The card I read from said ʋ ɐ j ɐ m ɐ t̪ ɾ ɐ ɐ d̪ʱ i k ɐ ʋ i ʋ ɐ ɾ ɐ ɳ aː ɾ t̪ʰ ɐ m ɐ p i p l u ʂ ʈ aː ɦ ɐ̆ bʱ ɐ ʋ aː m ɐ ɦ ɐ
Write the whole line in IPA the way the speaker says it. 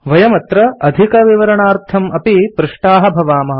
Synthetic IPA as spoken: ʋ ɐ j ɐ m ɐ t̪ ɾ ɐ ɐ d̪ʱ i k ɐ ʋ i ʋ ɐ ɾ ɐ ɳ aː ɾ t̪ʰ ɐ m ɐ p i p ɾ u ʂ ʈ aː ɦ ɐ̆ bʱ ɐ ʋ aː m ɐ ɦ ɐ